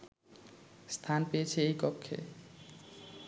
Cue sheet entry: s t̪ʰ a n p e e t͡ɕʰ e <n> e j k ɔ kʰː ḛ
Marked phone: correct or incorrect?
incorrect